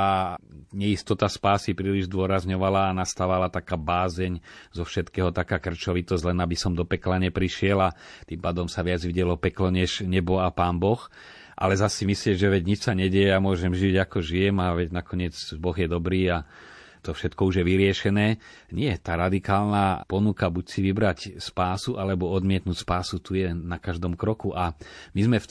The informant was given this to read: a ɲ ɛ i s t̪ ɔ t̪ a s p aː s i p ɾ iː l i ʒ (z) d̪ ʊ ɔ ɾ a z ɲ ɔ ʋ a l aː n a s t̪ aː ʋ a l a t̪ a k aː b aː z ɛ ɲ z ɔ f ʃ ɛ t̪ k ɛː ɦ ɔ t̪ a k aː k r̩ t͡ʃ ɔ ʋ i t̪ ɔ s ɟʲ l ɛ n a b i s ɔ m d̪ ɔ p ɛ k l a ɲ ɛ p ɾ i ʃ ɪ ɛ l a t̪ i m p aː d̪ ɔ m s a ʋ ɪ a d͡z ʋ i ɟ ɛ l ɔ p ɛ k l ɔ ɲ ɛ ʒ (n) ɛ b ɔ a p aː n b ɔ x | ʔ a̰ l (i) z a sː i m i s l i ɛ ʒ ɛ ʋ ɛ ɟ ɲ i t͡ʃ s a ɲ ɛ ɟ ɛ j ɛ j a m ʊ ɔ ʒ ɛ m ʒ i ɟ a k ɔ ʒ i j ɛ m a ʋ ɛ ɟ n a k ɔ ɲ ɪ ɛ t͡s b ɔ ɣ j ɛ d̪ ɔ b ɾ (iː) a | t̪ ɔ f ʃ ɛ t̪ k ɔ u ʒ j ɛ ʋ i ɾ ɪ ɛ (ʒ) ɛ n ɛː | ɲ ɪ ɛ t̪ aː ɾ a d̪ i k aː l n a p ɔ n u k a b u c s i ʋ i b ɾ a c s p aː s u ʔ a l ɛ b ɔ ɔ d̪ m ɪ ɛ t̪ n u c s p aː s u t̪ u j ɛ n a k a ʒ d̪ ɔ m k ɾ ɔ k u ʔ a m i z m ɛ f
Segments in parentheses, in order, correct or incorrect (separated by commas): correct, incorrect, incorrect, correct, incorrect